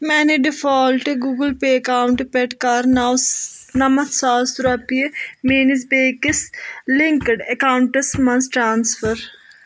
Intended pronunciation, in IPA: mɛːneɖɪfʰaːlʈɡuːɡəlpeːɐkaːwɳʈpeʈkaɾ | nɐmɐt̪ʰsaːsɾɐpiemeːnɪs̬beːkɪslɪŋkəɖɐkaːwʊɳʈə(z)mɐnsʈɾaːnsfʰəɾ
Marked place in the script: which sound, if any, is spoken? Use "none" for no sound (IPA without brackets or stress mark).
s